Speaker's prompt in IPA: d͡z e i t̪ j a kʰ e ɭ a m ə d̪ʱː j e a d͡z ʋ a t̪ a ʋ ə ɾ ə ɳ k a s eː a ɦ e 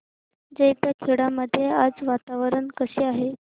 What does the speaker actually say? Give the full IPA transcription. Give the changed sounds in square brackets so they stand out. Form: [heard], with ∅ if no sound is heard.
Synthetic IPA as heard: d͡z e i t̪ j a kʰ e [ɽ] a m ə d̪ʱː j e a d͡z ʋ a t̪ a ʋ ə ɾ ə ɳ k [ə] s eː a ɦ e